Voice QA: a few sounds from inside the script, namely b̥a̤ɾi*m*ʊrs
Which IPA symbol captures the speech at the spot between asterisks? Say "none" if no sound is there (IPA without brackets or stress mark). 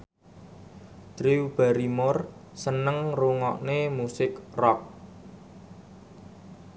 m